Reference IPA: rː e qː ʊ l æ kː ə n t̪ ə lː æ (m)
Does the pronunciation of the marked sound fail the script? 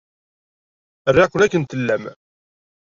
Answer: no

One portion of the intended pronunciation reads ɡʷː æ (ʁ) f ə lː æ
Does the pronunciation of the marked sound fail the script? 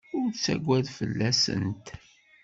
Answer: yes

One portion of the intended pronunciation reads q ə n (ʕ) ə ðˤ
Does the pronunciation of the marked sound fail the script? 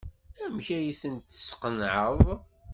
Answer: no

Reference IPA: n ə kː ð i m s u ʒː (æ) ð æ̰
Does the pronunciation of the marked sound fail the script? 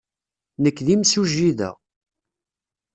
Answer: yes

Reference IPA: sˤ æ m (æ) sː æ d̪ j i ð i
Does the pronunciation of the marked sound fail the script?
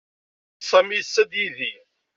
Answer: yes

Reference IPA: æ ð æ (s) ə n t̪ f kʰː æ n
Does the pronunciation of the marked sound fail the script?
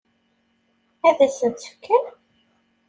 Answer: no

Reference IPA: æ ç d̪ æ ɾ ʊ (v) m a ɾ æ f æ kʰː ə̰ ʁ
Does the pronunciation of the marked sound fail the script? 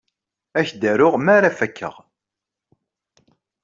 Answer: yes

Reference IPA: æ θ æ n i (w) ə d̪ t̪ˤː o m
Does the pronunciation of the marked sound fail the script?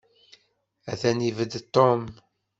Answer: yes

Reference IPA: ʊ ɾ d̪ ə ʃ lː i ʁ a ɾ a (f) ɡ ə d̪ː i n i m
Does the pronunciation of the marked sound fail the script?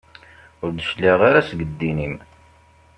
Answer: yes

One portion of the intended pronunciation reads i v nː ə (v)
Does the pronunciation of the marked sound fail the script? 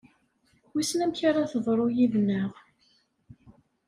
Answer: yes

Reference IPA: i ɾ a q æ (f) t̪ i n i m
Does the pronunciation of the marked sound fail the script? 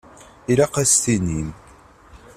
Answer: yes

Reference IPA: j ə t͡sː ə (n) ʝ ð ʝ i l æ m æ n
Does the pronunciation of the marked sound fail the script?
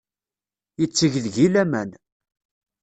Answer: yes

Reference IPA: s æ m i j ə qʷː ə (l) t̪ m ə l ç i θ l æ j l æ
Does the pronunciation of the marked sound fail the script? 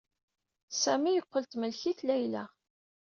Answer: no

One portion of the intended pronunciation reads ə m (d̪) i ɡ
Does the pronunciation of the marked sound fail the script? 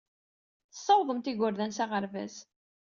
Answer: yes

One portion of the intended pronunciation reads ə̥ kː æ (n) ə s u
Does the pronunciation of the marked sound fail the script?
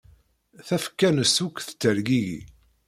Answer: no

